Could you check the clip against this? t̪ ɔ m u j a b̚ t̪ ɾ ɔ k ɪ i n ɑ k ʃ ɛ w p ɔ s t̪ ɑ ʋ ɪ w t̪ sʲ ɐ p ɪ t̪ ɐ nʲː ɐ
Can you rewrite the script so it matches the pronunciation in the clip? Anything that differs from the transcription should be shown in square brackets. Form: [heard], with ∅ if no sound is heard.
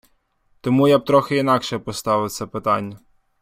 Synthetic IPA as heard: t̪ ɔ m u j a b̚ t̪ ɾ ɔ [x] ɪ i n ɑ k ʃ ɛ [∅] p ɔ s t̪ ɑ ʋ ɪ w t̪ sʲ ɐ p ɪ t̪ [ɑ] nʲː ɐ